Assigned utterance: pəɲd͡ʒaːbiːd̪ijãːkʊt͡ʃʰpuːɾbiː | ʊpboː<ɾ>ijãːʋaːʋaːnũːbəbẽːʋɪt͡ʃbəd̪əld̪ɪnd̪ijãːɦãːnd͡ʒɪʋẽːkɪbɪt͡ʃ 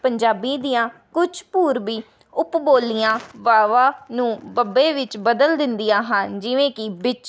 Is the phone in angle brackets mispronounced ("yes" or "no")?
yes